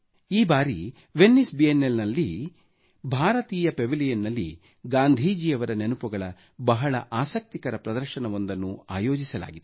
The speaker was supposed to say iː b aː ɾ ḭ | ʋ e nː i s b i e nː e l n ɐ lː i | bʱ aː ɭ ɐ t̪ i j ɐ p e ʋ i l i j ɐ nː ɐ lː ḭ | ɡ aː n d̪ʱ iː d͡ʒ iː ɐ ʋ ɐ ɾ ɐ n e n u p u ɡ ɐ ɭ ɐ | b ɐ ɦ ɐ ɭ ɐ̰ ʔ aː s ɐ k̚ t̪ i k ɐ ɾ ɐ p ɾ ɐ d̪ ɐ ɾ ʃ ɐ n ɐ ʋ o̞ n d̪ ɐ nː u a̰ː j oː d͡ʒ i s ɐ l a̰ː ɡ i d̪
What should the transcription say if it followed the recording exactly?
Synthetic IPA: iː b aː ɾ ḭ | ʋ e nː i s b i e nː e l n ɐ lː i | bʱ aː ɾ ɐ t̪ iː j ɐ p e ʋ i l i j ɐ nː ɐ lː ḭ | ɡ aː n d̪ʱ iː d͡ʒ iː ɐ ʋ ɐ ɾ ɐ n e n u p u ɡ ɐ ɭ ɐ | b ɐ ɦ ɐ ɭ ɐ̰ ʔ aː s ɐ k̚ t̪ i k ɐ ɾ ɐ p ɾ ɐ d̪ ɐ ɾ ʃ ɐ n ɐ ʋ o̞ n d̪ ɐ nː u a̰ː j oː d͡ʒ i s ɐ l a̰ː ɡ i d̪

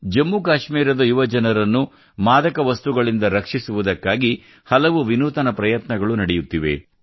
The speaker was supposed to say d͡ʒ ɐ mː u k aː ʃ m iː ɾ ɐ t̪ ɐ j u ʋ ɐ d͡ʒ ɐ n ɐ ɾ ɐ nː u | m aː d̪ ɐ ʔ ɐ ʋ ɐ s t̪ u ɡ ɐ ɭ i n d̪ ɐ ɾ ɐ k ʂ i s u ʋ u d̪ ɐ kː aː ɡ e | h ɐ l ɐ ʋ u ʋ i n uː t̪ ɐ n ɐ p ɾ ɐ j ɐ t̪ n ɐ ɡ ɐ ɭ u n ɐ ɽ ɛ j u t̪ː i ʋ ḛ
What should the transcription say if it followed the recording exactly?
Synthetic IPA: d͡ʒ ɐ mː u k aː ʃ m iː ɾ ɐ d̪ ɐ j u ʋ ɐ d͡ʒ ɐ n ɐ ɾ ɐ nː u | m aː d̪ ɐ k ɐ ʋ ɐ s t̪ u ɡ ɐ ɭ i n d̪ ɐ ɾ ɐ k ʂ i s u ʋ u d̪ ɐ kː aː ɡ i | h ɐ l ɐ ʋ u ʋ i n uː t̪ ɐ n ɐ p ɾ ɐ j ɐ t̪ n ɐ ɡ ɐ ɭ u n ɐ ɽ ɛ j u t̪ː i ʋ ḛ

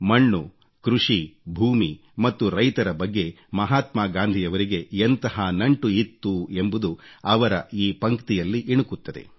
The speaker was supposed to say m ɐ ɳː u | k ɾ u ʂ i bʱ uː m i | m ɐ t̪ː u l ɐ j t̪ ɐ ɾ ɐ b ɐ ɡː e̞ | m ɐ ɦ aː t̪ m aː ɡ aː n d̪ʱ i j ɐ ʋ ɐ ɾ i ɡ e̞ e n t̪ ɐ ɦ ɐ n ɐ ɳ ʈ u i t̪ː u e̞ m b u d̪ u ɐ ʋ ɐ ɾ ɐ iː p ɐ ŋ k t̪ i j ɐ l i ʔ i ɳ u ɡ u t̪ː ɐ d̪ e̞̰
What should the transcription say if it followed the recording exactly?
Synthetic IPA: m ɐ ɳː u | k ɾ u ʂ i bʱ uː m i | m ɐ t̪ː u ɾ ɐ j t̪ ɐ ɾ ɐ b ɐ ɡː e̞ | m ɐ ɦ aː t̪ m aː ɡ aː n d̪ʱ i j ɐ ʋ ɐ ɾ i ɡ e̞ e n t̪ ɐ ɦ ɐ n ɐ ɳ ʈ u i t̪ː u e̞ m b u d̪ u ɐ ʋ ɐ ɾ ɐ iː p ɐ ŋ k t̪ i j ɐ lː i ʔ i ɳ u k u t̪ː ɐ d̪ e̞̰

